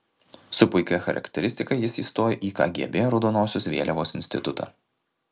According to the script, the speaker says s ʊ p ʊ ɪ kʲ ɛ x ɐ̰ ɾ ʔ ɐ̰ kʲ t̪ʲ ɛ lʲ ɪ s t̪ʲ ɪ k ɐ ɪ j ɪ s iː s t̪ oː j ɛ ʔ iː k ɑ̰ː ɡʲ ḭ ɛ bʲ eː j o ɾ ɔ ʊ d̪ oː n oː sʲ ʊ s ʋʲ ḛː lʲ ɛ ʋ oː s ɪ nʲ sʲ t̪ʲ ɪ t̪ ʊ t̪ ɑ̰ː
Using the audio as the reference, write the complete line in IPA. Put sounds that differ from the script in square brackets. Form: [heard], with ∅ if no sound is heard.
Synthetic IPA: s ʊ p ʊ ɪ kʲ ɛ x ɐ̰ ɾ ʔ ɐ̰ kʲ t̪ʲ ɛ [ɾʲ] ɪ s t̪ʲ ɪ k ɐ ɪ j ɪ s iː s t̪ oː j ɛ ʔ iː k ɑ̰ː ɡʲ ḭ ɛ bʲ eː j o ɾ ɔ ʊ d̪ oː n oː sʲ ʊ s ʋʲ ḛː lʲ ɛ ʋ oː s ɪ nʲ sʲ t̪ʲ ɪ t̪ ʊ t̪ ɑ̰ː